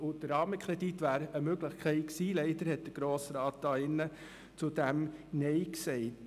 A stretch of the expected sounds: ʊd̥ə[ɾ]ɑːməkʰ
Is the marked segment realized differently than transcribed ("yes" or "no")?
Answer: no